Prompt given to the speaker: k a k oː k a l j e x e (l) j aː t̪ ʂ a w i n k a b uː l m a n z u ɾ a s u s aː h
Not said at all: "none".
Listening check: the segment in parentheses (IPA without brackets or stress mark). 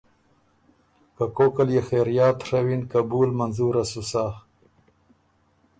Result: ɾ